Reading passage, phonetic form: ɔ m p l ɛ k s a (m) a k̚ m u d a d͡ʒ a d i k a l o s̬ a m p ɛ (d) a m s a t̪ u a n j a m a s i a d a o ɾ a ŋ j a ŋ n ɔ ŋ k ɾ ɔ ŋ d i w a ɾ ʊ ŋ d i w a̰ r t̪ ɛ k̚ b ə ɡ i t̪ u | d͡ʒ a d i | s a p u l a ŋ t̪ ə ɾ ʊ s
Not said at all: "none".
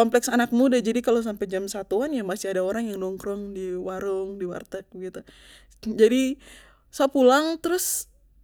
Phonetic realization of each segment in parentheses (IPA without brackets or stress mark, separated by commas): n, d͡ʒ